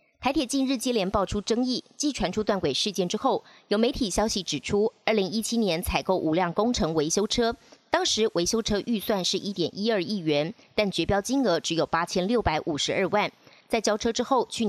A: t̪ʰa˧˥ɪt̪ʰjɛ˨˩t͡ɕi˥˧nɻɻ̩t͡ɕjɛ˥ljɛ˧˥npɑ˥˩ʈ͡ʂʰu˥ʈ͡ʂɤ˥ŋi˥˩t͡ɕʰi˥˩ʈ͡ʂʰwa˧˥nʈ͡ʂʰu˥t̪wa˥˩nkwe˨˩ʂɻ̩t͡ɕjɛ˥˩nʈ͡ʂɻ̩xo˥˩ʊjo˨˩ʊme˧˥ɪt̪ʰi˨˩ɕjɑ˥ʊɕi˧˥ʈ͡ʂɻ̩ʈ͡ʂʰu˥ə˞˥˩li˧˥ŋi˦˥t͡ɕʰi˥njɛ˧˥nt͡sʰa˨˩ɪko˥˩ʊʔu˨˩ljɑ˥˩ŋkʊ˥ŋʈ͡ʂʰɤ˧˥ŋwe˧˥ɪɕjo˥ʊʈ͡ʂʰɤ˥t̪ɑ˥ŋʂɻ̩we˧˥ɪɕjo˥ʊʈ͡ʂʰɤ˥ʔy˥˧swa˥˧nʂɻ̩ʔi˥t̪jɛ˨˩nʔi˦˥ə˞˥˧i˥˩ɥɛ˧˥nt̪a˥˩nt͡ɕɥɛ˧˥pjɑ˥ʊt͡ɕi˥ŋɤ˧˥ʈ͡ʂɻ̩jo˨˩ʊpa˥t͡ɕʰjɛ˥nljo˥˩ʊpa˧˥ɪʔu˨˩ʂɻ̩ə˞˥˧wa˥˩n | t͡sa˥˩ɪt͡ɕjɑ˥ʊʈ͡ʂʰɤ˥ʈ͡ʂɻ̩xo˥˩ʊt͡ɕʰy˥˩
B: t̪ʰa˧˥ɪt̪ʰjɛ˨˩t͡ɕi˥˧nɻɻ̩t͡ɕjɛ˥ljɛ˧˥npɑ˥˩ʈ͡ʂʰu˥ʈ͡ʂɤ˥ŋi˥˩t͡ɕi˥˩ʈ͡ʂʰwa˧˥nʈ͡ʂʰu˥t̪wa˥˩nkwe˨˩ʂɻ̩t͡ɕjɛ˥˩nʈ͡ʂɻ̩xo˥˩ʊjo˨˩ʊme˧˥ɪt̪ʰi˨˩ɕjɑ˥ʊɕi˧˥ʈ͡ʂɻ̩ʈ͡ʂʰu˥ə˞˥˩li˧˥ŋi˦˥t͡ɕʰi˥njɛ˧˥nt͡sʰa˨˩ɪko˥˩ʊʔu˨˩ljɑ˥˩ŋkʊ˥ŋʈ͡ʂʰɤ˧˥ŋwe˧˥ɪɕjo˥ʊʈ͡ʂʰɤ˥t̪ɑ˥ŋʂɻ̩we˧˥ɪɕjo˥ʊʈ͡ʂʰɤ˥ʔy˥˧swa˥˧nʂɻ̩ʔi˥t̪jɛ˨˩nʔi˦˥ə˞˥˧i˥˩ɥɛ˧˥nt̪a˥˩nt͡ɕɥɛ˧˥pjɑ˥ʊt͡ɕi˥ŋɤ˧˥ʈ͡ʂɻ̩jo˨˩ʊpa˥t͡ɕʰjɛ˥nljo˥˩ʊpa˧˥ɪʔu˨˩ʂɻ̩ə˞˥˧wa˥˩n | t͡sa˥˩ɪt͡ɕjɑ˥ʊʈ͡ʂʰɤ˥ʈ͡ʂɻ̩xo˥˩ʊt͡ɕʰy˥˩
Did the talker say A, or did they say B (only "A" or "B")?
B